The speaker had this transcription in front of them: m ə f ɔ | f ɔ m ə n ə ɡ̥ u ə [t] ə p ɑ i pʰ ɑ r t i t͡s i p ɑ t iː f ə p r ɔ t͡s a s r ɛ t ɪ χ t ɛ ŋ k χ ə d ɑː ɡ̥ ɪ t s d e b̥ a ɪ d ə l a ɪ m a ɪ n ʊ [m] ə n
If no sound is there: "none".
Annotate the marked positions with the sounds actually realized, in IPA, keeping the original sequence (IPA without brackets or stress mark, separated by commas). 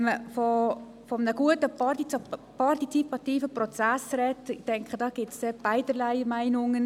t, ŋ